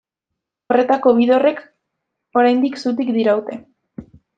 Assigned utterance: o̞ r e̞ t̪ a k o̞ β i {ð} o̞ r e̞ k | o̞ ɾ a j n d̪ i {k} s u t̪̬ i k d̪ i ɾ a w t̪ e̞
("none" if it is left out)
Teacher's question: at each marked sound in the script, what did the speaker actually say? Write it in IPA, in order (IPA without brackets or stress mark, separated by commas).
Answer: ð, k